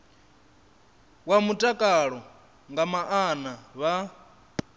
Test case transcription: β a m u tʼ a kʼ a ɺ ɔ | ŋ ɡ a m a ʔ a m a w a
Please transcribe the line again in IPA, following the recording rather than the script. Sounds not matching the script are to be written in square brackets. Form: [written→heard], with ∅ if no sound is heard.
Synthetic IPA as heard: [β→w] a m u tʼ a kʼ a ɺ ɔ | ŋ ɡ a m a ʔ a [m→n] a [w→β] a

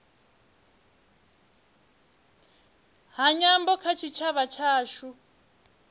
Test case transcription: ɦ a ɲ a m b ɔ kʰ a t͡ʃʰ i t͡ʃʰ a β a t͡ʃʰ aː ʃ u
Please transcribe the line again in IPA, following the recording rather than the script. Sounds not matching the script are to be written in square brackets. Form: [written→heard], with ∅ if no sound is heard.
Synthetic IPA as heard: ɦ a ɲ a m b ɔ kʰ a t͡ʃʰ i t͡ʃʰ a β a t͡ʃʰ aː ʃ u

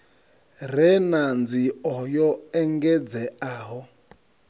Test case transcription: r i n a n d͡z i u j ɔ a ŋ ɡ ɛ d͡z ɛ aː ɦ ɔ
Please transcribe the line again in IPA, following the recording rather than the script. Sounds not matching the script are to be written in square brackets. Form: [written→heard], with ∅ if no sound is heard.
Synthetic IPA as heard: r [i→ɛ] n a n d͡z i [u→ɔ] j ɔ [a→ɛ] ŋ ɡ ɛ d͡z ɛ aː ɦ ɔ

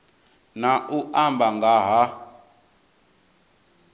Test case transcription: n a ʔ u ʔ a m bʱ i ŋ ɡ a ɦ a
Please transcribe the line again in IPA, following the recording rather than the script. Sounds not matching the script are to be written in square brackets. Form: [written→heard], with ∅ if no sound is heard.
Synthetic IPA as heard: n a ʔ u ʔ a m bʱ [i→a] ŋ ɡ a ɦ a

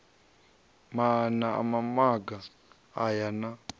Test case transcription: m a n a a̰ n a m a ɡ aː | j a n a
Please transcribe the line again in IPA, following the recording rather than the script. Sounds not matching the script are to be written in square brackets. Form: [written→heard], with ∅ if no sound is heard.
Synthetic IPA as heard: m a n a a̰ [n→m] a m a ɡ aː | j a n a

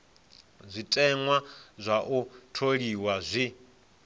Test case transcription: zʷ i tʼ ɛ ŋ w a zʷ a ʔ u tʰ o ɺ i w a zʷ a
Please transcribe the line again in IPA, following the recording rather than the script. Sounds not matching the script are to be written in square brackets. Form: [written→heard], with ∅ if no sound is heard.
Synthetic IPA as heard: zʷ i tʼ ɛ ŋ w a zʷ a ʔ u tʰ o ɺ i w a zʷ [a→i]

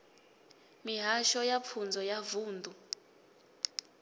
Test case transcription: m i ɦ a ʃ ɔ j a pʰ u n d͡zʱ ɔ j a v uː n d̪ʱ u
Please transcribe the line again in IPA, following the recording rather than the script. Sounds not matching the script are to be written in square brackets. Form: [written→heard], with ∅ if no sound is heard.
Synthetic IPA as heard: m i ɦ a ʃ ɔ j a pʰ u n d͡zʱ ɔ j a v uː n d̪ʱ u

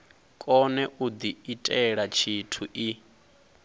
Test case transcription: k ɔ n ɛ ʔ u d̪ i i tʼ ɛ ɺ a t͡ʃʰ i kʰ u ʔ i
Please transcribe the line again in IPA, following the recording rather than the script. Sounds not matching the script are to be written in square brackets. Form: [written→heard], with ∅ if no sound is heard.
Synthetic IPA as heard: [k→kʼ] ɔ n ɛ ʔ u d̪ i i tʼ ɛ ɺ a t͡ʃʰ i [kʰ→tʰ] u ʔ i

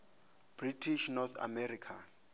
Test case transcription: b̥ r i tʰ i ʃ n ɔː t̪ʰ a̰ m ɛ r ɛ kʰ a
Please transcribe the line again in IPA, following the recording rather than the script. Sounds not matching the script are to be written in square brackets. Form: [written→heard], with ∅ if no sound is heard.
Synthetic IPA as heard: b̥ r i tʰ i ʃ n [ɔː→ɔ] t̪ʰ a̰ m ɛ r [ɛ→i] kʰ a

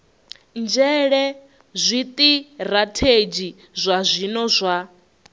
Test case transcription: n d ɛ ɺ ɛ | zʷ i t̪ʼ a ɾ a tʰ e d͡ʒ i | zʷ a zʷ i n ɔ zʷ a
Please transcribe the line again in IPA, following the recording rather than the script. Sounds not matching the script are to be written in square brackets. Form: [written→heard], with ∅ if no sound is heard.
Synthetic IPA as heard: n [d→d͡ʒ] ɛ ɺ ɛ | zʷ i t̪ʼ [a→i] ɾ a tʰ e d͡ʒ i | zʷ a zʷ i n ɔ zʷ a

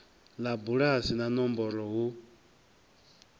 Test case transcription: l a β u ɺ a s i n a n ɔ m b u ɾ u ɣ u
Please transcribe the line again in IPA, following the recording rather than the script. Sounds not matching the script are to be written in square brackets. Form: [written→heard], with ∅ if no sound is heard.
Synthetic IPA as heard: l a [β→b] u ɺ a s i n a n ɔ m b [u→ɔ] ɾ [u→ɔ] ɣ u

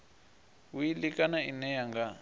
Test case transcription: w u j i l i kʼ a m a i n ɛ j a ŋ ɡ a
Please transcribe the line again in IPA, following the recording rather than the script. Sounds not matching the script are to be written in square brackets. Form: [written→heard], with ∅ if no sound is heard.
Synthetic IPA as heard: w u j i l i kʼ a [m→n] a i n ɛ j a ŋ ɡ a

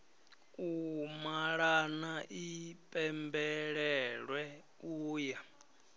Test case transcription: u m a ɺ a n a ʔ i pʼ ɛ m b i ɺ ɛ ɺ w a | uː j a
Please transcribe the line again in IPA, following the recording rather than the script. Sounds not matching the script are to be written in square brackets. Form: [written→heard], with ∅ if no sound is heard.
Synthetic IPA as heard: u m a ɺ a n a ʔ i pʼ ɛ m b [i→ɛ] ɺ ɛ ɺ w [a→ɛ] | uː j a

